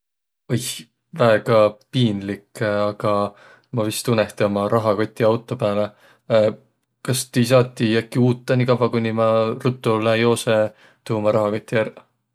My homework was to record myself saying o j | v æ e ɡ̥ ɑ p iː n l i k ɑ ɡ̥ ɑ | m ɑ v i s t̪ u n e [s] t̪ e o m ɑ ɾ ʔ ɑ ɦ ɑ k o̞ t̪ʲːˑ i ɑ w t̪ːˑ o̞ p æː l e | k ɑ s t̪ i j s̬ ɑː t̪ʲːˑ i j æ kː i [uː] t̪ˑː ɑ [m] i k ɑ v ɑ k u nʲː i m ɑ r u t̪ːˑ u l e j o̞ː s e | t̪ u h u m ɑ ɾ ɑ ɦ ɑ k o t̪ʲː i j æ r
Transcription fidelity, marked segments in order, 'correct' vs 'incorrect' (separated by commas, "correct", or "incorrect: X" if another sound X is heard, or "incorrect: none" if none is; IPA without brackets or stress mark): incorrect: h, correct, incorrect: n